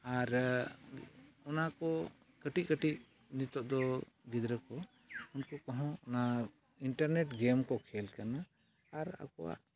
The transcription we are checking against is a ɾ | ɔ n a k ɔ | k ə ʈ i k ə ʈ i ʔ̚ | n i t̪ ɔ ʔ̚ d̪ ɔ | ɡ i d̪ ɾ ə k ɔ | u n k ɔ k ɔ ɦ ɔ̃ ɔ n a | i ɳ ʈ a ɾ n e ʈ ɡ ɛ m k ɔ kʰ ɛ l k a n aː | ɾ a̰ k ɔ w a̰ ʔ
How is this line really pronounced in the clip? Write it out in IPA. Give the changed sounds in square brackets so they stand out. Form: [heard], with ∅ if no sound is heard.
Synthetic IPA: a ɾ | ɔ n a k ɔ | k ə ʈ i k ə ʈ i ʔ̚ | n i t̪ ɔ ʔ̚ d̪ ɔ | ɡ i d̪ ɾ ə k ɔ | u n k ɔ k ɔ ɦ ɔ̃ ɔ n a | i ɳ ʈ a ɾ n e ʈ ɡ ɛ m k ɔ kʰ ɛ l k a n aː | ɾ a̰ k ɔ w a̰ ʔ